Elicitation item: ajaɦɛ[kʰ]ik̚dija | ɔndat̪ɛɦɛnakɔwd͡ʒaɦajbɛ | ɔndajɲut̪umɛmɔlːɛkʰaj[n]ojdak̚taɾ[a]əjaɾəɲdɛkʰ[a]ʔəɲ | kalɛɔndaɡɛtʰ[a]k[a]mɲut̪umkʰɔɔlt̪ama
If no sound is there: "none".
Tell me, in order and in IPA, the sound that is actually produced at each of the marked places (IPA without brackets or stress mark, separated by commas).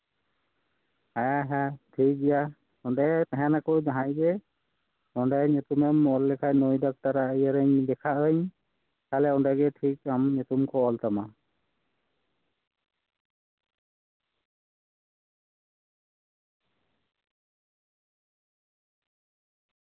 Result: tʰ, n, a, a, i, a